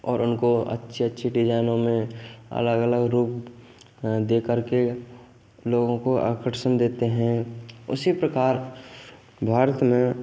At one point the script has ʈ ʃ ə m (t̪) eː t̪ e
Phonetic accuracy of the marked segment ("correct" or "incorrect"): incorrect